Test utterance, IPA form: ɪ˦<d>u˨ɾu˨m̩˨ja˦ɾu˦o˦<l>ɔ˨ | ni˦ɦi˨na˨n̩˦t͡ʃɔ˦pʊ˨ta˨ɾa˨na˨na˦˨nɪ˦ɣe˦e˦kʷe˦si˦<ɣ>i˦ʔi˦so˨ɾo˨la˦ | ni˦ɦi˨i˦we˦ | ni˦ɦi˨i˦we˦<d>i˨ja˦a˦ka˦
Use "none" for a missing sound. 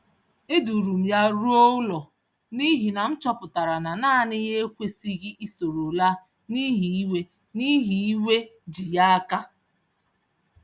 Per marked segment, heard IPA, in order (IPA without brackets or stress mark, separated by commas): d, l, ɣ, d͡ʒ